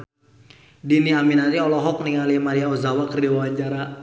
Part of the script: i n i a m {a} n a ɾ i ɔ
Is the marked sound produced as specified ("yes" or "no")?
no